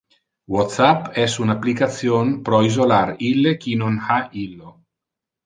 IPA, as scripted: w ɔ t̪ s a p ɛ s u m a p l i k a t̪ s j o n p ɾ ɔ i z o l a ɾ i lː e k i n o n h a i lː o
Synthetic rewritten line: w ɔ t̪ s a p ɛ s u n a p l i k a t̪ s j o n p ɾ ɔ i z o l a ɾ i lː e k i n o n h a i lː o